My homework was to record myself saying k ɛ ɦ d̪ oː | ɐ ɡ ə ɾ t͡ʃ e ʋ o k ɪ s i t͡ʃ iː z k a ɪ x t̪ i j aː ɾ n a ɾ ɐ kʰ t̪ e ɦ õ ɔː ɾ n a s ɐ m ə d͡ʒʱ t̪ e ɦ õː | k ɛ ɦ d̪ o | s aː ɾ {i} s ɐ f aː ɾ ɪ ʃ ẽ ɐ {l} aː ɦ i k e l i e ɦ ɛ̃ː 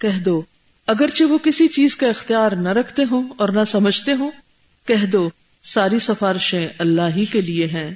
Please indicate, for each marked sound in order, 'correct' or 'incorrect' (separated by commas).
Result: correct, incorrect